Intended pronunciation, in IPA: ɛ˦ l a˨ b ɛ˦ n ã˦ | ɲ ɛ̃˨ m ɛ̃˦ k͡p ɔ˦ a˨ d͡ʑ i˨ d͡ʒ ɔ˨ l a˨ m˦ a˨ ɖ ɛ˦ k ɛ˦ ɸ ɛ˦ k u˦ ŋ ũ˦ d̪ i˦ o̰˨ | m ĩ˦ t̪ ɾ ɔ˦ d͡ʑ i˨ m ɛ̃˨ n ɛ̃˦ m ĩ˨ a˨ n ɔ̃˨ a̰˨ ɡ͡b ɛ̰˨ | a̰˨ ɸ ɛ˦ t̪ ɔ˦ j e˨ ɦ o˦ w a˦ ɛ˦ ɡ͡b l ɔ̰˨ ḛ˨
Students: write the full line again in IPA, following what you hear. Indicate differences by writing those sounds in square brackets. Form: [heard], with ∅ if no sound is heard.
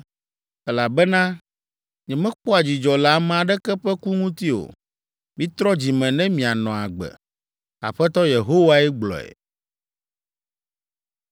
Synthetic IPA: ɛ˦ l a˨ b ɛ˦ n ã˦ | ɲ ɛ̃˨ m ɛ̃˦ k͡p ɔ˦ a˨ d͡ʑ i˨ d͡ʒ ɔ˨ l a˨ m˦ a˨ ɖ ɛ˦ k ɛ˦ ɸ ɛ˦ k u˦ ŋ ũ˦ [t̪] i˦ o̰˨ | m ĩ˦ t̪ ɾ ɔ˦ d͡ʑ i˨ m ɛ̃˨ n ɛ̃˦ m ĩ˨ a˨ n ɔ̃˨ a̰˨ ɡ͡b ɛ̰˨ | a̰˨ ɸ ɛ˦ t̪ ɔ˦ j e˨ ɦ o˦ w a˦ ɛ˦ ɡ͡b l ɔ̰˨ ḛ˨

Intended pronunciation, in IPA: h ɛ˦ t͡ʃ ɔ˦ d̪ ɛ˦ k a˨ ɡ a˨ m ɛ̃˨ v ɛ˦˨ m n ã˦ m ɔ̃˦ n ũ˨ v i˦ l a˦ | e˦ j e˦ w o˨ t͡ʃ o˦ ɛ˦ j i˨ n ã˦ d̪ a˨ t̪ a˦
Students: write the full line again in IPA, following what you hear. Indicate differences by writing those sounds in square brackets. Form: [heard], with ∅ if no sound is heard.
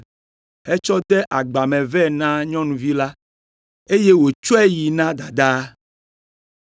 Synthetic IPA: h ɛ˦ t͡ʃ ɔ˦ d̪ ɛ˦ [ʔ] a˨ [ɡ͡b] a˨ m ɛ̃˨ v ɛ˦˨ [∅] n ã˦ [ɲ] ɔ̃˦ n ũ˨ v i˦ l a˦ | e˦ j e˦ w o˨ t͡ʃ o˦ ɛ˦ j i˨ n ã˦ d̪ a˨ [d̪] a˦

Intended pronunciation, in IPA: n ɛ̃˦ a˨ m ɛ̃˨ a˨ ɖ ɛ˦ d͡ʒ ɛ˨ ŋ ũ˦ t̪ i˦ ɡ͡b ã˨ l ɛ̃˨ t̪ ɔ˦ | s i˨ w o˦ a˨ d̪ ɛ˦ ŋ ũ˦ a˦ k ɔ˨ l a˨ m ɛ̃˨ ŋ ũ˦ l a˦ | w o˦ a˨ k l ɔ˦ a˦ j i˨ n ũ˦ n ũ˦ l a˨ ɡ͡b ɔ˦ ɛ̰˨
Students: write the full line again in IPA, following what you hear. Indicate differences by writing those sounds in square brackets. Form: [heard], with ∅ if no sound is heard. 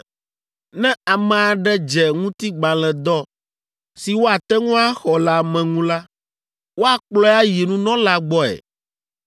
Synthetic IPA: n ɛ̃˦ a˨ m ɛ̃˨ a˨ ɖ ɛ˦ d͡ʒ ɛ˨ ŋ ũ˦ t̪ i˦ ɡ͡b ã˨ l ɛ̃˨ [d̪] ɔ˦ | s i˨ w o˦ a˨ [t̪] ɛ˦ ŋ ũ˦ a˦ [x] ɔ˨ l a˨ m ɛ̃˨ ŋ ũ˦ l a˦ | w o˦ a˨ [k͡p] l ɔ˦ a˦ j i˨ n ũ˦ n [ɔ̃˦] l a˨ ɡ͡b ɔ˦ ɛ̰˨

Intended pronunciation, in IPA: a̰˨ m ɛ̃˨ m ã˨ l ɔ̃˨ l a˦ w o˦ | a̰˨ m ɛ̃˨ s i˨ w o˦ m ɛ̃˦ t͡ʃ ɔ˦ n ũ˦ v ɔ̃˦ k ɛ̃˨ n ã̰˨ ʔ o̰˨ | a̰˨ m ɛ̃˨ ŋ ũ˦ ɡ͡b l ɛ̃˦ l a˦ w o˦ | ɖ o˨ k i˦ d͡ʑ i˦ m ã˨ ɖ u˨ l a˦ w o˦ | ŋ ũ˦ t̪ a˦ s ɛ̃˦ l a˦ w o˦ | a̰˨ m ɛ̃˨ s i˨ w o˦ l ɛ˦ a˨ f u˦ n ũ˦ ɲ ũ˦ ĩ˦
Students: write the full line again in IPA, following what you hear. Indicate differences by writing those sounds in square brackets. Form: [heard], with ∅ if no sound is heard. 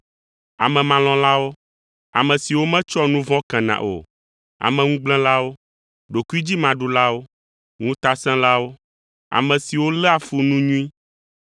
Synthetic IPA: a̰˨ m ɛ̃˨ m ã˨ l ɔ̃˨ l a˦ w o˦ | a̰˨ m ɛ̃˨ s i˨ w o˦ m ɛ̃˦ t͡ʃ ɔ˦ n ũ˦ v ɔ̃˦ k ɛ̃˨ n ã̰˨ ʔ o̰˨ | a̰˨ m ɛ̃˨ ŋ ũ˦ ɡ͡b l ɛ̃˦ l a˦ w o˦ | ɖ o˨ k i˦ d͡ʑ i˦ m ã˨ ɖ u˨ l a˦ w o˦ | ŋ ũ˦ t̪ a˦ s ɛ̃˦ l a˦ w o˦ | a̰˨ m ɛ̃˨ s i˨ w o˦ l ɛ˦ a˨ f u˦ n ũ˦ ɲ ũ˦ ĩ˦

